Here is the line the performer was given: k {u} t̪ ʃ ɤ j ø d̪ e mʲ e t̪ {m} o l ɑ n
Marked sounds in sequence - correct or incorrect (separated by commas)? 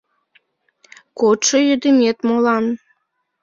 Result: incorrect, correct